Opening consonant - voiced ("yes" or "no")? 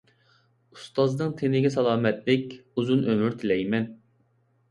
no